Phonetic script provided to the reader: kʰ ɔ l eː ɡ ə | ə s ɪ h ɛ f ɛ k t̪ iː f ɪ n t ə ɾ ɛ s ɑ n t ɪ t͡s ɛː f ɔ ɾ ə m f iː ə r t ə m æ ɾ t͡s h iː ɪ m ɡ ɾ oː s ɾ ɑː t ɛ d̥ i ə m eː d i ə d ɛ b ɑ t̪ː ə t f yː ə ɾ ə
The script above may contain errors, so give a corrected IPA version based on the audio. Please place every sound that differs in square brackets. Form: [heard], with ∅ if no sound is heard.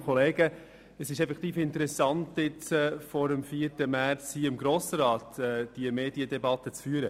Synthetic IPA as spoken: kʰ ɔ l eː ɡ ə | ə s ɪ [ʃ] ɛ f ɛ k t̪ iː f ɪ n t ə ɾ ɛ s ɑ n t ɪ t͡s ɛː f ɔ ɾ ə m f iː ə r t ə m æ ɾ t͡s h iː ɪ m ɡ ɾ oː s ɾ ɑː t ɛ d̥ i ə m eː d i ə d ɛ b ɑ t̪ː ə [t͡s] f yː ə ɾ ə